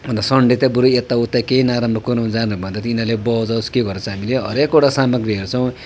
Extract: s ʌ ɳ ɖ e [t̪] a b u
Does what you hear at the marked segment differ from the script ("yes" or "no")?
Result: no